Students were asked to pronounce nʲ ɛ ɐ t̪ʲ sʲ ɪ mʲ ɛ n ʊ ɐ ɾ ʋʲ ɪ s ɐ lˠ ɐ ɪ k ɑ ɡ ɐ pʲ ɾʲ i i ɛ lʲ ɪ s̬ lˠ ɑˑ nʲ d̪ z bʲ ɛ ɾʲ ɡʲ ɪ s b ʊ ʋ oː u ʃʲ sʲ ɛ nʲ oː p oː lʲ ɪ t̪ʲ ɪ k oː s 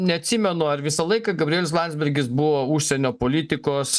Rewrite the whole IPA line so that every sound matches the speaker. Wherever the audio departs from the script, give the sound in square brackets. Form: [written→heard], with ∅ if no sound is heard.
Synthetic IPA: nʲ ɛ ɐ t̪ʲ sʲ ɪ mʲ ɛ n ʊ ɐ ɾ ʋʲ ɪ s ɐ lˠ ɐ ɪ k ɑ ɡ ɐ [pʲ→bʲ] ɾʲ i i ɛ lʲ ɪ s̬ lˠ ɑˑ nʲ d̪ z bʲ ɛ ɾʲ ɡʲ ɪ s b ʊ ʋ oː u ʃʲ sʲ ɛ nʲ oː p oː lʲ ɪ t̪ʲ ɪ k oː s